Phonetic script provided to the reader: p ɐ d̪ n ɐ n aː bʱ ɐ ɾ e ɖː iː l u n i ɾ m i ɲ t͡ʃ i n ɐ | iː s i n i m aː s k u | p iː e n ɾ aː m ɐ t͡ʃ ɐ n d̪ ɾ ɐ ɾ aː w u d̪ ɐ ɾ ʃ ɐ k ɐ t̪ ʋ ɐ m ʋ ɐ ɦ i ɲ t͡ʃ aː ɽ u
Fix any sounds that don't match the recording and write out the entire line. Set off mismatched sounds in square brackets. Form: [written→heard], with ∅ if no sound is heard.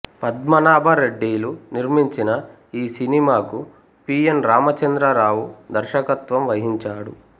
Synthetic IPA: p ɐ d̪ [n→m] ɐ n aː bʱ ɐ ɾ e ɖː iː l u n i ɾ m i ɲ t͡ʃ i n ɐ | iː s i n i m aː [s→∅] k u | p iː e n ɾ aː m ɐ t͡ʃ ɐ n d̪ ɾ ɐ ɾ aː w u d̪ ɐ ɾ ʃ ɐ k ɐ t̪ ʋ ɐ m ʋ ɐ ɦ i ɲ t͡ʃ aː ɽ u